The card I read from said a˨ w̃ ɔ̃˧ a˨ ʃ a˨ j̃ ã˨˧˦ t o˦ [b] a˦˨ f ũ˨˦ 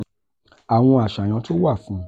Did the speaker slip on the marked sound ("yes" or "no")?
yes